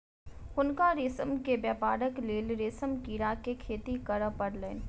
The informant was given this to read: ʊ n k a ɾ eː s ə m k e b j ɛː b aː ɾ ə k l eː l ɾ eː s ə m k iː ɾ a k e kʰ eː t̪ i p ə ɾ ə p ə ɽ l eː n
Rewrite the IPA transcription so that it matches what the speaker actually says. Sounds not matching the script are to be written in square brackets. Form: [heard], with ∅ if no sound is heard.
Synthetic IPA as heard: ʊ n k a ɾ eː s ə m k e b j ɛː [p] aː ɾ ə k l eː l ɾ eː s ə m k iː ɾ a k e kʰ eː t̪ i [k] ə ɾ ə p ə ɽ l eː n